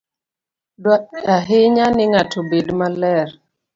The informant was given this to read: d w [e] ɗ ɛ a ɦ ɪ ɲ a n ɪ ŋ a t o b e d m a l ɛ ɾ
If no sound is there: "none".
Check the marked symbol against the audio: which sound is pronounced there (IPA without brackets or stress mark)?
a